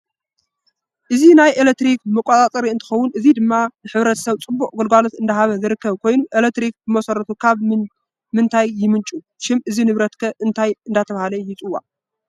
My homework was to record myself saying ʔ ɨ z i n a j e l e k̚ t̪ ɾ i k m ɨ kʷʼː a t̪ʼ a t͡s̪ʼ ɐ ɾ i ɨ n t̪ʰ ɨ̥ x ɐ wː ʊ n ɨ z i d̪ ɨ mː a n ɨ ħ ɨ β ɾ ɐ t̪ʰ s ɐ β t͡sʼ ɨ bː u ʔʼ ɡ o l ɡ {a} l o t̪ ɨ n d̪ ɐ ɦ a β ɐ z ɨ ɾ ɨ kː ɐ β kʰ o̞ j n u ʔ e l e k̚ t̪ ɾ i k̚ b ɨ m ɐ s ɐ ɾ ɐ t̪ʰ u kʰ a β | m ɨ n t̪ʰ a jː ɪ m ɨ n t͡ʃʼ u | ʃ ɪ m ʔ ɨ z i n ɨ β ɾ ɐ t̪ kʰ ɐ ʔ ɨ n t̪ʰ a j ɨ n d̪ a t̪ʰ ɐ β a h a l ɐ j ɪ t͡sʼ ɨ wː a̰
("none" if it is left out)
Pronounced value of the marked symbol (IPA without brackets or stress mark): a